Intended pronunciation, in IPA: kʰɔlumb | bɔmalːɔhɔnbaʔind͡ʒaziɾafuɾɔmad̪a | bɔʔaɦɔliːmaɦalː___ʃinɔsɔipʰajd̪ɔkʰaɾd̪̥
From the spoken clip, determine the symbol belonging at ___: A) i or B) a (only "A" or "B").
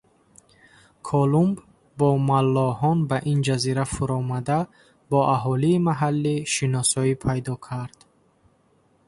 A